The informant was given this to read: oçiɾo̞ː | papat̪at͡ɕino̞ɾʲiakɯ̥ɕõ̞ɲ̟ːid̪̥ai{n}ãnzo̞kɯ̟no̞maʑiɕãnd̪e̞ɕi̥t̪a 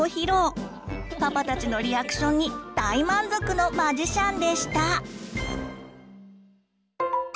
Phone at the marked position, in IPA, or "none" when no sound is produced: m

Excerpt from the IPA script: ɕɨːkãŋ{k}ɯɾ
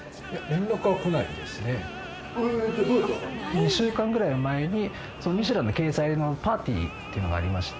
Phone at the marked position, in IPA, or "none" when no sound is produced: ɡ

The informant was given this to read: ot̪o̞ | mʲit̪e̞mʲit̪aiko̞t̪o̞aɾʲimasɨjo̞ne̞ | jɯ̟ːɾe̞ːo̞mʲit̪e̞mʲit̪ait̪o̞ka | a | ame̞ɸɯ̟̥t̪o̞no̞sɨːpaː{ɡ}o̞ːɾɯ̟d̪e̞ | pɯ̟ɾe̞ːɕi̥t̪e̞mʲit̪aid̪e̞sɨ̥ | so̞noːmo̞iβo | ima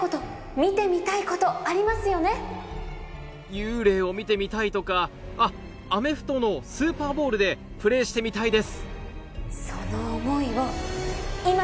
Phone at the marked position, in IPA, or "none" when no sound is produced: b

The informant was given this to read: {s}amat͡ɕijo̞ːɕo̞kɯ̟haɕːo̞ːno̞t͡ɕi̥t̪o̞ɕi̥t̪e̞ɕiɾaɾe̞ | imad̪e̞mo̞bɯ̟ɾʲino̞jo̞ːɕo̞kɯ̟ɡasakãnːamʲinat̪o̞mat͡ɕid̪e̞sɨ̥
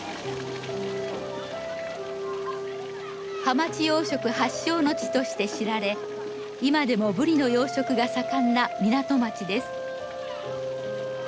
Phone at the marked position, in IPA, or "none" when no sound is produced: h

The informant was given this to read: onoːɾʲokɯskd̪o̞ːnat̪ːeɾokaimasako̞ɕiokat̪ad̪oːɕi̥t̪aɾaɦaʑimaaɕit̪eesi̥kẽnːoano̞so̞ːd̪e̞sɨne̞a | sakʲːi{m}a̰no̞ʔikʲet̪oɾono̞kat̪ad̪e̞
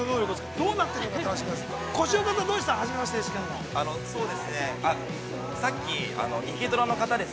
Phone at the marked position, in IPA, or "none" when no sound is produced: none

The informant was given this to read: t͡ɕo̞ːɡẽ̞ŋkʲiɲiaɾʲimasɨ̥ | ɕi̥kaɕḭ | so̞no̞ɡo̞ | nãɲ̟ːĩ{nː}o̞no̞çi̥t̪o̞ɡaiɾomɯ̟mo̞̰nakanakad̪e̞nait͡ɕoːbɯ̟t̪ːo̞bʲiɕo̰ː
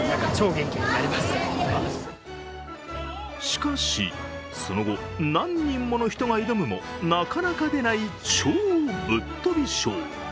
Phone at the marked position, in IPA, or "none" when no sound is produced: mː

